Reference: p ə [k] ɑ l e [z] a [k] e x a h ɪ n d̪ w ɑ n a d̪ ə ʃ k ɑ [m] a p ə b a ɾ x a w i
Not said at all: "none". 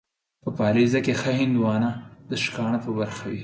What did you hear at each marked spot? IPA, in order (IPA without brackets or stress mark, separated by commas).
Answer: p, z, k, ɳ